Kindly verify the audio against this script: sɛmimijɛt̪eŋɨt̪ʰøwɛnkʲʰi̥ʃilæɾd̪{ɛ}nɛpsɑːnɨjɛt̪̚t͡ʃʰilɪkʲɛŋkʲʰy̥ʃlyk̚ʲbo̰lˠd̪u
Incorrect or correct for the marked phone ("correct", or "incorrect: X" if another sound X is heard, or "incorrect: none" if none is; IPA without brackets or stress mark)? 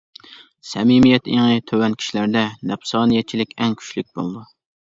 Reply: correct